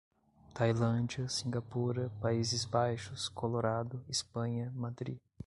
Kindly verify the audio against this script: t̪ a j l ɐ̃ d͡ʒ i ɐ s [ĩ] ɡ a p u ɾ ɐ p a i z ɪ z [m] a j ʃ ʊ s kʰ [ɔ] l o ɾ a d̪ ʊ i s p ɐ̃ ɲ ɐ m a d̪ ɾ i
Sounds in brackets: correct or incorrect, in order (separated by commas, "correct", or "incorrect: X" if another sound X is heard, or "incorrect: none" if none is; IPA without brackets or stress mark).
correct, incorrect: b, incorrect: o